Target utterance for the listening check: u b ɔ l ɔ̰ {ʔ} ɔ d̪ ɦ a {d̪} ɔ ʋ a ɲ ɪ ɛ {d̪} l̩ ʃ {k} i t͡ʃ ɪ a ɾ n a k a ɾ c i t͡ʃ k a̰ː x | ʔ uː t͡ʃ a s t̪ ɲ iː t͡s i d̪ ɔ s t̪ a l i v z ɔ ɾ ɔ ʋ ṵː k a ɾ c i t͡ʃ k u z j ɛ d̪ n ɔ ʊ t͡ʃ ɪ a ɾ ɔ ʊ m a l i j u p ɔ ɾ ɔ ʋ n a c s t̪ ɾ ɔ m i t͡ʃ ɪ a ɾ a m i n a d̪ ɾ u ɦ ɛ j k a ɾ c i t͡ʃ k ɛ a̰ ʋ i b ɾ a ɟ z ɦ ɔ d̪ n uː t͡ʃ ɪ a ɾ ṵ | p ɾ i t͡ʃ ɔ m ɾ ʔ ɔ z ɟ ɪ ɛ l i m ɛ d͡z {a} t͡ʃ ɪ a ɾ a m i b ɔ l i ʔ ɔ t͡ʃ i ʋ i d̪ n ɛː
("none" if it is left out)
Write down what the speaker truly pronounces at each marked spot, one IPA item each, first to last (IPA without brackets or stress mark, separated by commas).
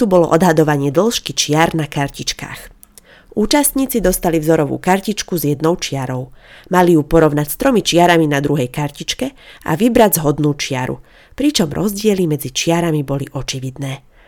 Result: ʔ, d̪, d̪, k, i